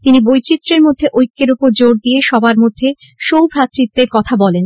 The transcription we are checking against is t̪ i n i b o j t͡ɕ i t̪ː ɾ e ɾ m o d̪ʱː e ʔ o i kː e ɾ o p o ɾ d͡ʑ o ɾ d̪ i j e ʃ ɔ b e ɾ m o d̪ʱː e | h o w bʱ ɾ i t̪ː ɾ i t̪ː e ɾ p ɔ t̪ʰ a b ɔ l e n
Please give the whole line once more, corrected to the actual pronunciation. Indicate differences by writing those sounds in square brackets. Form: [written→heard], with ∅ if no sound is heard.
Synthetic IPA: t̪ i n i b o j t͡ɕ i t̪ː ɾ e ɾ m o d̪ʱː e ʔ o [i→j] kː e ɾ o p o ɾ d͡ʑ o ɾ d̪ i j e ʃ ɔ b [e→a] ɾ m o d̪ʱː e | [h→ʃ] o w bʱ ɾ [i→a] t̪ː ɾ i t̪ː e ɾ [p→k] ɔ t̪ʰ a b ɔ l e n